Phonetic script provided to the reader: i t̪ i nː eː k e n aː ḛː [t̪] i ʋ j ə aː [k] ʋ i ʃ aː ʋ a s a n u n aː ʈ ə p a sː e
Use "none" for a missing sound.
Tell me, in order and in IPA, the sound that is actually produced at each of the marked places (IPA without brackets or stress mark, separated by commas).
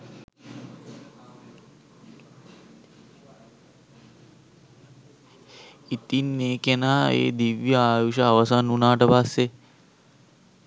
d̪, none